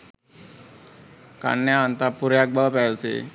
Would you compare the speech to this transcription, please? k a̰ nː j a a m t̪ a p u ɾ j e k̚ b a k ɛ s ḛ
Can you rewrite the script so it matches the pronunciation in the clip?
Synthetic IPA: k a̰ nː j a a n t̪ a p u ɾ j a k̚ b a p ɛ s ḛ